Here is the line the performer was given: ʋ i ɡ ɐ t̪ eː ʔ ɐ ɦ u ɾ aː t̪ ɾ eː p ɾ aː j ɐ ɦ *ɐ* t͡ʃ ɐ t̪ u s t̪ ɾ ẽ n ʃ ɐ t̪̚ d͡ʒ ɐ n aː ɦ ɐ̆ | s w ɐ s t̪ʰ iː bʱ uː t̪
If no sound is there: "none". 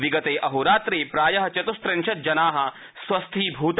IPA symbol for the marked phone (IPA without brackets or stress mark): ɐ